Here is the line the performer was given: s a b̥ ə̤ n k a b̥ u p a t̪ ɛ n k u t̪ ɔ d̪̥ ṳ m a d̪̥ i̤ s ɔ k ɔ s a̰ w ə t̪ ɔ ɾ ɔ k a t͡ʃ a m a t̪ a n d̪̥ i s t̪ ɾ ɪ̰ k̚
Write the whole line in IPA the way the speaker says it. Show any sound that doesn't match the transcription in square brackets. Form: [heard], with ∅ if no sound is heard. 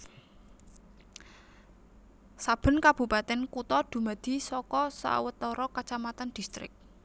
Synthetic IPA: s a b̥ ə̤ n k a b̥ u p a t̪ ɛ n k u t̪ ɔ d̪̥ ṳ m a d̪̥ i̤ s ɔ k ɔ s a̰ w ə t̪ ɔ ɾ ɔ k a t͡ʃ a m a t̪ a n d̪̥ i s t̪ ɾ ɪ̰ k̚